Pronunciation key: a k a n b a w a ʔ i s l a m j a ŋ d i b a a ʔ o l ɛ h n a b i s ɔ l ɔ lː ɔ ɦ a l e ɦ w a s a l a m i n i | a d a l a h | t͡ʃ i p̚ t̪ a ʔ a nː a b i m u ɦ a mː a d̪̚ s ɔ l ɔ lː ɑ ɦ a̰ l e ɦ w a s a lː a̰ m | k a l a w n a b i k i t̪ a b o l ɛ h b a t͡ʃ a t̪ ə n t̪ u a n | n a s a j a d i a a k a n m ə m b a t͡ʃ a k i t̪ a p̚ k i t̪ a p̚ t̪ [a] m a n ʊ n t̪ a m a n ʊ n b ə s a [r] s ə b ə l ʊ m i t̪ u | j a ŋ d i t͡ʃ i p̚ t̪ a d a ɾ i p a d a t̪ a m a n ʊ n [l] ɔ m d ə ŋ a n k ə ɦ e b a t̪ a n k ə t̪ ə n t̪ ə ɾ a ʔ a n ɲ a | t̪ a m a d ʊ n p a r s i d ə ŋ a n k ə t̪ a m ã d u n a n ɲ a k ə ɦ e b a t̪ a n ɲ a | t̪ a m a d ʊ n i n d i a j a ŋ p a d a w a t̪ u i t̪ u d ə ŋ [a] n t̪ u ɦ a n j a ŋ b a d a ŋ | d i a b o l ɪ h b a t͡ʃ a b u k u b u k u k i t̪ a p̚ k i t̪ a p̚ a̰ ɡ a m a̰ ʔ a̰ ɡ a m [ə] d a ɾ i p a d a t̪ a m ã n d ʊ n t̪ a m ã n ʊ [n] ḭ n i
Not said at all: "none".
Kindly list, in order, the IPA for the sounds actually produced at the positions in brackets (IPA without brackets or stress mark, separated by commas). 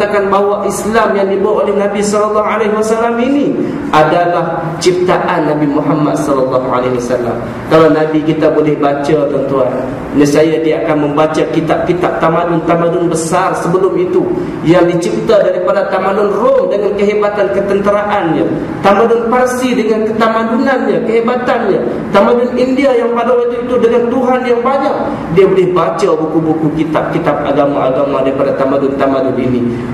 a, r, r, a, a, n